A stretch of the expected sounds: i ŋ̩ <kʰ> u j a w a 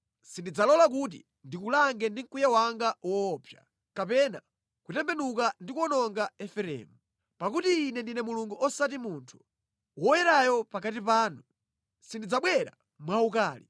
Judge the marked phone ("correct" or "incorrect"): incorrect